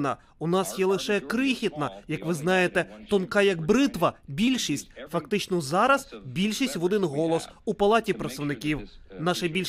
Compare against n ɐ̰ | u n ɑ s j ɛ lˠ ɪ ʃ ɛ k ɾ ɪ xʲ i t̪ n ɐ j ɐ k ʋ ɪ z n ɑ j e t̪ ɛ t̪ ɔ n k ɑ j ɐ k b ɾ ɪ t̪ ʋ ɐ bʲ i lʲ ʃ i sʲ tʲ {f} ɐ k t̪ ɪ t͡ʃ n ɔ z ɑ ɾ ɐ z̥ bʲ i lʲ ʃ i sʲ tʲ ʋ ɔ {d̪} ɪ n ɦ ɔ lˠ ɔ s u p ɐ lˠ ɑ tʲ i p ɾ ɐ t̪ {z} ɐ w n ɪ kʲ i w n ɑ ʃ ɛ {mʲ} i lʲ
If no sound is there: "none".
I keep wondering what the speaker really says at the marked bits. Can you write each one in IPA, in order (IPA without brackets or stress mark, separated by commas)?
f, d̪, s, bʲ